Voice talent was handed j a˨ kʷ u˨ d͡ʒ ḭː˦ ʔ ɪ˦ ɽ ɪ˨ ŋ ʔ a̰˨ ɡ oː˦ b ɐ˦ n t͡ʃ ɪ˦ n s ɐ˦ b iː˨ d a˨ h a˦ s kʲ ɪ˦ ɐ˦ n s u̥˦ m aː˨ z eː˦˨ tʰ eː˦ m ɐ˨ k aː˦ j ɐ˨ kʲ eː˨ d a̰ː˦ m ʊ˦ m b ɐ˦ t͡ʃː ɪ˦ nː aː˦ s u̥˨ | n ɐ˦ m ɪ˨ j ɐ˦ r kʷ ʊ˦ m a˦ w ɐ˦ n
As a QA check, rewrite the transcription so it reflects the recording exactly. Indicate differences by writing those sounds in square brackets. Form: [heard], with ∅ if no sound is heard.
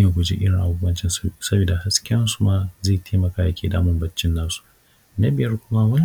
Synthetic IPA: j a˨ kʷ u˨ d͡ʒ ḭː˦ ʔ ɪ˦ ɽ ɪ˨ ŋ ʔ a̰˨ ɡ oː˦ b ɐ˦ n t͡ʃ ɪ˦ n s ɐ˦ b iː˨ d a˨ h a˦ s kʲ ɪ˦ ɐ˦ n s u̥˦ m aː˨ z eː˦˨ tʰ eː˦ m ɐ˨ k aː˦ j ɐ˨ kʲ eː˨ d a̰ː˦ m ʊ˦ m b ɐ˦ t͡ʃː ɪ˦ nː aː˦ s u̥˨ | n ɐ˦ [b] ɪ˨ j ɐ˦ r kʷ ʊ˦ m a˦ w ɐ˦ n